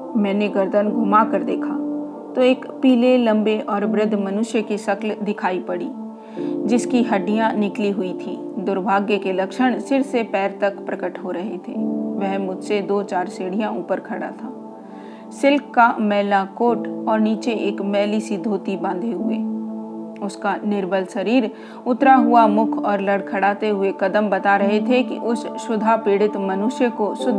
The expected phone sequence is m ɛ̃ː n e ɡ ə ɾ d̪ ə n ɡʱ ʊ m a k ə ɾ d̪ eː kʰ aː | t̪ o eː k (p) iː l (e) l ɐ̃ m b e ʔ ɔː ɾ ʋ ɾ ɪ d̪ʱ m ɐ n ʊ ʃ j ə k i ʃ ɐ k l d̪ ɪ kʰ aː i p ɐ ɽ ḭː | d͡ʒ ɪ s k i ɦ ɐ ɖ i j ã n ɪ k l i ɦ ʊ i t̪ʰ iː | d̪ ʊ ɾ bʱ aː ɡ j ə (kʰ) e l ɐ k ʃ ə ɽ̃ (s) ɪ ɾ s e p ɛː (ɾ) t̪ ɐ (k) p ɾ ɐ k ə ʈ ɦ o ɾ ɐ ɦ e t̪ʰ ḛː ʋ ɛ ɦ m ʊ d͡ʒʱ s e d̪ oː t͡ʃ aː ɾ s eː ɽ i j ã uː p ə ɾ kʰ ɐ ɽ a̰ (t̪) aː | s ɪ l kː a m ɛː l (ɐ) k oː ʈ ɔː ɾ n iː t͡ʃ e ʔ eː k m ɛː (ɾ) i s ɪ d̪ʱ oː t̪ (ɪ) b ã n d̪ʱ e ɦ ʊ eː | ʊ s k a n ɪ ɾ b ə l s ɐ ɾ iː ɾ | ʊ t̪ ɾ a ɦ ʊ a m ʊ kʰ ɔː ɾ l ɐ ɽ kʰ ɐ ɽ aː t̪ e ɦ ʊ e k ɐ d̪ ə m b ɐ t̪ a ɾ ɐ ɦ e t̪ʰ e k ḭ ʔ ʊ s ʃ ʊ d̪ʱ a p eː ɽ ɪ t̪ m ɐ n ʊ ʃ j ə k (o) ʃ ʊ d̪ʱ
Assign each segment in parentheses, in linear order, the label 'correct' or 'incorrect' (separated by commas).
correct, correct, incorrect, correct, correct, correct, incorrect, incorrect, incorrect, incorrect, correct